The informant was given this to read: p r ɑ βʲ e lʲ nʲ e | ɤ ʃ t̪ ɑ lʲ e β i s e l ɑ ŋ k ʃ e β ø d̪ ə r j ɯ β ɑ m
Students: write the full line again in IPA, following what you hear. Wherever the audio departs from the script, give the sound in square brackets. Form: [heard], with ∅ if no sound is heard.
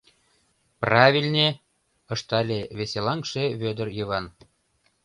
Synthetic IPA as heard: p r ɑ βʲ [i] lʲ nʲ e | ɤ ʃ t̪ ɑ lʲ e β [e] s e l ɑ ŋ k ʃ e β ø d̪ ə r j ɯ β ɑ [n]